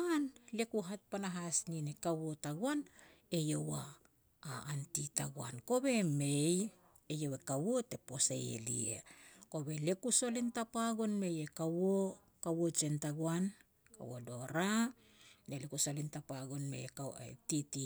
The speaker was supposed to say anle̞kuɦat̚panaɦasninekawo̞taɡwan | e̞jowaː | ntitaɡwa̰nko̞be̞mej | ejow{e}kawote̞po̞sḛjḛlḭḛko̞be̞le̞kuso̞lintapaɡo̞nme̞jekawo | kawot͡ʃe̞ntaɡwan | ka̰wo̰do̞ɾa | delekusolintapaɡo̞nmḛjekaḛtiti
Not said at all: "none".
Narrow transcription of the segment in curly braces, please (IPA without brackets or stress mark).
e